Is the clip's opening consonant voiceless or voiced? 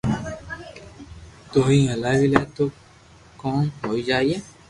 voiceless